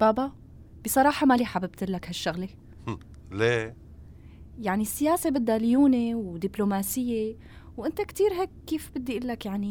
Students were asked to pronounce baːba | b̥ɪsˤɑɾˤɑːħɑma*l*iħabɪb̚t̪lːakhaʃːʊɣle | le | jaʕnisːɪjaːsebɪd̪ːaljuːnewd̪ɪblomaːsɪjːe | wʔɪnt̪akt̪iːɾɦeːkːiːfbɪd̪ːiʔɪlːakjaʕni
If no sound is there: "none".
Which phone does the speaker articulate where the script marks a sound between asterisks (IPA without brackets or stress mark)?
l